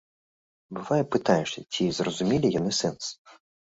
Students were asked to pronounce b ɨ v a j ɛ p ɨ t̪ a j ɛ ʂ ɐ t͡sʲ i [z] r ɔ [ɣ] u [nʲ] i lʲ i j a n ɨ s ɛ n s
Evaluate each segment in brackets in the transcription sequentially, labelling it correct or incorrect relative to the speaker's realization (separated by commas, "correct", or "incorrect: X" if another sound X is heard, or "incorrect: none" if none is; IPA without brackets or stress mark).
correct, incorrect: z, incorrect: mʲ